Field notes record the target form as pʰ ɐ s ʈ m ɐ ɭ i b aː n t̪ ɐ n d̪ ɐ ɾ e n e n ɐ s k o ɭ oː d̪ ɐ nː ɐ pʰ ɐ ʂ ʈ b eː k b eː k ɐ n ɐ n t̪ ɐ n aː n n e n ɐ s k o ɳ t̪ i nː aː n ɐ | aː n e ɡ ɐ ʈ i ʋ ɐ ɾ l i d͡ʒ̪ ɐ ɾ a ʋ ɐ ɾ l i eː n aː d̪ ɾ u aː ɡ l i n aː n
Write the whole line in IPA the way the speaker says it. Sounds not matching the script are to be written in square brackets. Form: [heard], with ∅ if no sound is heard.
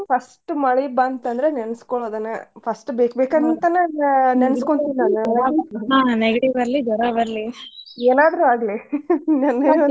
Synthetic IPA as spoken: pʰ ɐ s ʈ m ɐ ɭ i b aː n t̪ ɐ n d̪ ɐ ɾ e n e n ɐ s k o ɭ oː d̪ ɐ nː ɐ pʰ ɐ [s] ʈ b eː k b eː k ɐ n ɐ n t̪ ɐ n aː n n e n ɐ s k o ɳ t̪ i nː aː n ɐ | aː n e ɡ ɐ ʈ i ʋ ɐ ɾ l i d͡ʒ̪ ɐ ɾ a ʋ ɐ ɾ l i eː n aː d̪ ɾ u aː ɡ l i n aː n